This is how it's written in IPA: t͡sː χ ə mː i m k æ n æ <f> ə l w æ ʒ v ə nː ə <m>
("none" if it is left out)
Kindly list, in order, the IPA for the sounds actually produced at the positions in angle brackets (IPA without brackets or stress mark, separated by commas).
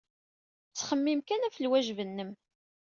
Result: f, m